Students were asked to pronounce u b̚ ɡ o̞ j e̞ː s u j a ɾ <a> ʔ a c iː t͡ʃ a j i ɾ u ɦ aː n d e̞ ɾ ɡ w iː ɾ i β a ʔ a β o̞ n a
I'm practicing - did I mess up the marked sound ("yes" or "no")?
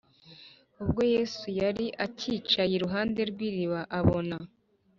yes